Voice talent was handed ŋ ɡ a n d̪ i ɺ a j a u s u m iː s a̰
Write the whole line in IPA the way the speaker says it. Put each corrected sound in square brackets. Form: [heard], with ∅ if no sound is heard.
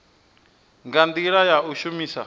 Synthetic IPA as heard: ŋ ɡ a n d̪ i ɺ a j a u [ʃ] u m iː s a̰